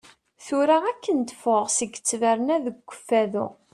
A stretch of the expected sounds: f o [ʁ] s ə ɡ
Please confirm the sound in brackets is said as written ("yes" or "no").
yes